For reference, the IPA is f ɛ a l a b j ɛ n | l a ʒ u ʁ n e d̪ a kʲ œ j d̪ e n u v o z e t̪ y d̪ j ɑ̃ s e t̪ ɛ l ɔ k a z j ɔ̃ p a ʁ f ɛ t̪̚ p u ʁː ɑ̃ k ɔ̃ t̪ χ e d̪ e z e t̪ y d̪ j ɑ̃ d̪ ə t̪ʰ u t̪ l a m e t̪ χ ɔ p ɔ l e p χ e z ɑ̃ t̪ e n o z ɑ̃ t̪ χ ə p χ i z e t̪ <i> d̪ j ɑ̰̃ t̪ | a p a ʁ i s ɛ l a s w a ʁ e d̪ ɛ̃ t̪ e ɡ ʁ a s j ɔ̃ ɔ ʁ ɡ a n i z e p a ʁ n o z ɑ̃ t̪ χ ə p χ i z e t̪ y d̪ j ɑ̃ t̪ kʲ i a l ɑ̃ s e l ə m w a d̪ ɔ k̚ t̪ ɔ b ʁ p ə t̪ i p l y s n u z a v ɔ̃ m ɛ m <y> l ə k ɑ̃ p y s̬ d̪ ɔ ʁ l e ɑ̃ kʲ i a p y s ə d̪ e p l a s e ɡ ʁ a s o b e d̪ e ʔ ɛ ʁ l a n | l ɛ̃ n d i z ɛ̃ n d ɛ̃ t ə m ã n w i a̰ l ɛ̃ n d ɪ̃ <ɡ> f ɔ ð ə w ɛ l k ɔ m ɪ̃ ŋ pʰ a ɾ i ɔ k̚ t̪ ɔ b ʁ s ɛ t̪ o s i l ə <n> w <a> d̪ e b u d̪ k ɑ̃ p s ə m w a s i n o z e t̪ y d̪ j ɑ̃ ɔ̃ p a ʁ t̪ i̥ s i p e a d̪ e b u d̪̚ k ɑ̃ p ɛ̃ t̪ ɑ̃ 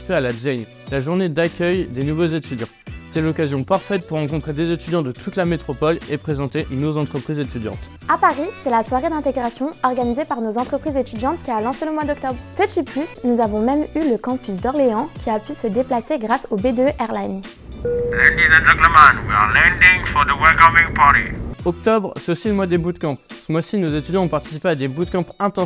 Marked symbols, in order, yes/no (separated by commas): no, yes, no, no, yes